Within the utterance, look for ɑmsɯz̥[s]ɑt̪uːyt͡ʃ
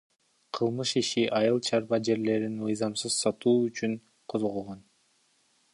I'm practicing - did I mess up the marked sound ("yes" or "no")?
no